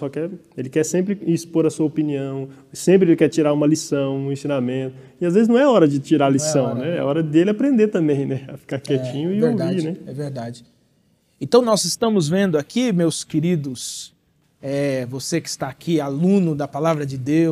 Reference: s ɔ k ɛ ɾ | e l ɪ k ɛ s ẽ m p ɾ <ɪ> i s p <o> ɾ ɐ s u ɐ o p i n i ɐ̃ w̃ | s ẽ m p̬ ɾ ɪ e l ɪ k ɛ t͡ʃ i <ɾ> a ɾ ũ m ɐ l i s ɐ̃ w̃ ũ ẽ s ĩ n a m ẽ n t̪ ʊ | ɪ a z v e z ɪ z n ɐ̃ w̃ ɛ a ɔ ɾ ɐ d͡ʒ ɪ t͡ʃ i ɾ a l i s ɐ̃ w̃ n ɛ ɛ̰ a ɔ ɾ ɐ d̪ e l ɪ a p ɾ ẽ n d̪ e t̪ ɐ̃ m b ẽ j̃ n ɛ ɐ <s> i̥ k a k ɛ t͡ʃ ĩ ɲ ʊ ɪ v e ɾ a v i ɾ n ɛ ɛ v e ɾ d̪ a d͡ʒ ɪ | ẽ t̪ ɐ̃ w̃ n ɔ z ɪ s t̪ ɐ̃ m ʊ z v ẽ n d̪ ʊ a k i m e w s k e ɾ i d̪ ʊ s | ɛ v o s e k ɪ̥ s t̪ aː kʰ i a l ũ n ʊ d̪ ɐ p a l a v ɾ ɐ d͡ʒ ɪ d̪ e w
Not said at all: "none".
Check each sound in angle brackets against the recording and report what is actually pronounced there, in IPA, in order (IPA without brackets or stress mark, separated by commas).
ɪ, o, ɾ, f